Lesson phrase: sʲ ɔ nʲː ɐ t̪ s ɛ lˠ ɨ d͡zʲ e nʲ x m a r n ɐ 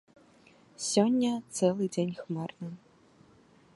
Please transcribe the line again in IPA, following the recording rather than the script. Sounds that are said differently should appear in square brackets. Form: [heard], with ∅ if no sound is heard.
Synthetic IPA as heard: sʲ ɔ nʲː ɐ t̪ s ɛ lˠ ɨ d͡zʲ e nʲ x m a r n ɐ

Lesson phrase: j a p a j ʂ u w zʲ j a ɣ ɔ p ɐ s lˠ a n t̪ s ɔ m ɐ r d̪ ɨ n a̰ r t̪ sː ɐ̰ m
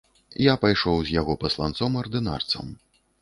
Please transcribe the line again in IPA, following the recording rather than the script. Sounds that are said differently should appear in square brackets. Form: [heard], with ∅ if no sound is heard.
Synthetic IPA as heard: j a p a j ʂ [ɔ] w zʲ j a ɣ ɔ p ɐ s lˠ a n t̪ s ɔ m ɐ r d̪ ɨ n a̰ r t̪ [s] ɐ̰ m

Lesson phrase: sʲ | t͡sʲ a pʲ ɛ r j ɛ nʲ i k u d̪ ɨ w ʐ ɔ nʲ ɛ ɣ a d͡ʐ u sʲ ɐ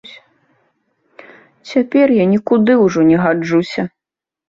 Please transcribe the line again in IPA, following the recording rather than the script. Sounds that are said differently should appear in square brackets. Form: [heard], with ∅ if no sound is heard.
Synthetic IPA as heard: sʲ | t͡sʲ a pʲ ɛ r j [a] nʲ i k u d̪ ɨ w ʐ ɔ nʲ ɛ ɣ a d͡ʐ u sʲ ɐ

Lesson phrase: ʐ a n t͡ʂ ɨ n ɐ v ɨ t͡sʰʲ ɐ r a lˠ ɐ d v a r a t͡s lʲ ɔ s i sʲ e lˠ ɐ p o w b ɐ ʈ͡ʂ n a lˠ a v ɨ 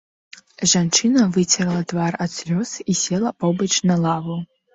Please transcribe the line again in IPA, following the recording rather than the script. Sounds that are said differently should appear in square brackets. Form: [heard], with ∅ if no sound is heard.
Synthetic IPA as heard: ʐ a n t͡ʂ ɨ n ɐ v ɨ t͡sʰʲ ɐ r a lˠ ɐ d v a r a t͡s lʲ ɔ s i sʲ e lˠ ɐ p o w b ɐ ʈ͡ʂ n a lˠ a v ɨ

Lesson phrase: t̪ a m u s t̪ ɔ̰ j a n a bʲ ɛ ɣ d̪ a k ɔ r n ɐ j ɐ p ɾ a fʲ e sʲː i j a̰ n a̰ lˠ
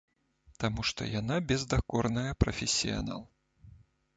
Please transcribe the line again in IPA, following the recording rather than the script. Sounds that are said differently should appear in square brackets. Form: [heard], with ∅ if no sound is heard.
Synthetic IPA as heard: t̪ a m u [ʂ] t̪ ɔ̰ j a n a bʲ ɛ [z] d̪ a k ɔ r n ɐ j ɐ p ɾ [ɐ] fʲ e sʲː i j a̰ n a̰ lˠ

